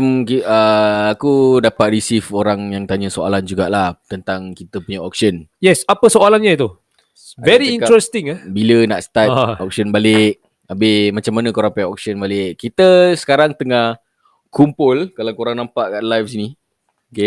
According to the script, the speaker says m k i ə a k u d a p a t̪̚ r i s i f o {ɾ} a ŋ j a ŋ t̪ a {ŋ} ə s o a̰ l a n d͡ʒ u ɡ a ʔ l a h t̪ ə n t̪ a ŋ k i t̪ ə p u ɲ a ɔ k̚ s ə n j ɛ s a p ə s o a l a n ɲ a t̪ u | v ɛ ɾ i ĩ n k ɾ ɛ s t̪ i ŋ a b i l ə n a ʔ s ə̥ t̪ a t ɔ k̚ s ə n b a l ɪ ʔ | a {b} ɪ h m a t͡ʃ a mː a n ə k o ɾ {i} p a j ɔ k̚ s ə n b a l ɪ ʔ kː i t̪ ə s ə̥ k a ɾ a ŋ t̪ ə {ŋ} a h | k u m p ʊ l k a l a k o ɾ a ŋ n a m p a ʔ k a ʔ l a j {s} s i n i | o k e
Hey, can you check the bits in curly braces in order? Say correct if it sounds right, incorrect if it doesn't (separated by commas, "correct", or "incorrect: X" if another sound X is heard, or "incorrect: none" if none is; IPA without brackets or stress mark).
correct, incorrect: ɲ, correct, incorrect: a, correct, incorrect: f